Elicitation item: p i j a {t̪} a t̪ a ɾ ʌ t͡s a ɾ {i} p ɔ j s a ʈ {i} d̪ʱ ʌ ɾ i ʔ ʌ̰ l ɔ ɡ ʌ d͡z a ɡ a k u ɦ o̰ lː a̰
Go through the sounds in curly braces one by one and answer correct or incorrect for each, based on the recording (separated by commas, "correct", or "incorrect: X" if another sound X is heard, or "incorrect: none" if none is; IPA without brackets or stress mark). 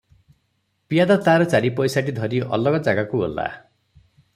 incorrect: d̪, correct, correct